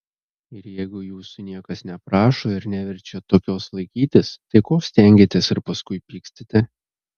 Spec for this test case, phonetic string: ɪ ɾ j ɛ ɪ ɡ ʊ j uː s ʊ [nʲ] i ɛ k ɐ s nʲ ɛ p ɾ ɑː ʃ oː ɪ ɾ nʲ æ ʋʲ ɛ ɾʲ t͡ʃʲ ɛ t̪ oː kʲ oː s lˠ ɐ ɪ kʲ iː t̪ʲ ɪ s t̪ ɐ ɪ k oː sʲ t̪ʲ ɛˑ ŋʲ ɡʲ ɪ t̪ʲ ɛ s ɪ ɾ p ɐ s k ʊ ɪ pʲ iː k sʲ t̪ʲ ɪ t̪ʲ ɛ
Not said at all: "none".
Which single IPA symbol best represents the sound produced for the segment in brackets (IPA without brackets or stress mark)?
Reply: nʲ